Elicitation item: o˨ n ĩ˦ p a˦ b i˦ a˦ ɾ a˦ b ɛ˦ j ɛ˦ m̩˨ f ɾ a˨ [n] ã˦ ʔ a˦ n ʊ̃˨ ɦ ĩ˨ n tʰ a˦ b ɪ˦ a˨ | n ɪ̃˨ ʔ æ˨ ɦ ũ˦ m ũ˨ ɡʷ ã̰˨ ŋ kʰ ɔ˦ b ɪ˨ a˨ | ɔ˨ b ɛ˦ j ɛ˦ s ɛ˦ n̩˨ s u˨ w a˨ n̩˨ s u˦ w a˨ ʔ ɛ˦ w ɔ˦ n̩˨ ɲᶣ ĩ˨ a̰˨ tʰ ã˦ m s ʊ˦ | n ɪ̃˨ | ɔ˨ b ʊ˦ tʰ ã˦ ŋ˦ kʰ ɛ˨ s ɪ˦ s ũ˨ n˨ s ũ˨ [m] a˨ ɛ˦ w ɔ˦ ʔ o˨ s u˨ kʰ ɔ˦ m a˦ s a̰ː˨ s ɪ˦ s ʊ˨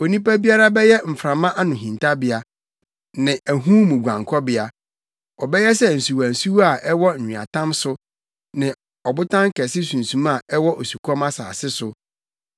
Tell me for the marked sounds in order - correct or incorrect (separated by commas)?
incorrect, correct